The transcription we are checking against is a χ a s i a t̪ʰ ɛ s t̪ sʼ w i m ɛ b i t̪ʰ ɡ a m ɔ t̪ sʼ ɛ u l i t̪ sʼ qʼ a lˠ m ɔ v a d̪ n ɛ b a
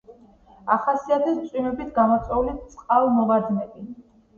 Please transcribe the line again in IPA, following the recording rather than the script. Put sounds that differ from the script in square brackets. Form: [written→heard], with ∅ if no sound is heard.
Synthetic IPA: a χ a s i a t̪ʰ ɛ s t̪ sʼ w i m ɛ b i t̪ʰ ɡ a m ɔ t̪ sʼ ɛ u l i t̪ sʼ qʼ a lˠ m ɔ v a d̪ n ɛ b [a→i]